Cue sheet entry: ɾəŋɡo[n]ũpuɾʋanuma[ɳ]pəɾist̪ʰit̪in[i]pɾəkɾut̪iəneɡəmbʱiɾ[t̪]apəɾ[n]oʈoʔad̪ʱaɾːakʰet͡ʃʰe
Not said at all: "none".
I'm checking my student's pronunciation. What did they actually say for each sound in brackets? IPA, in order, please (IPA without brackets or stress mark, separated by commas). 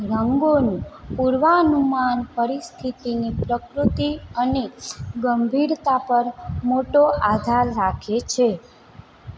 n, n, i, t̪, m